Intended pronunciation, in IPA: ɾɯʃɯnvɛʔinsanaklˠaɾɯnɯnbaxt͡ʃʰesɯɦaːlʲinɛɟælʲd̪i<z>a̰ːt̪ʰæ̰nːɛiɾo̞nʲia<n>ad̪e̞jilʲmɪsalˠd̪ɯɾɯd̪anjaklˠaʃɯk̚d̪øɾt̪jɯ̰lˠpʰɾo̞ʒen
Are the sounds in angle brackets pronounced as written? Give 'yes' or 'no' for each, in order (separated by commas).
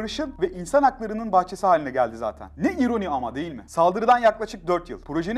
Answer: yes, no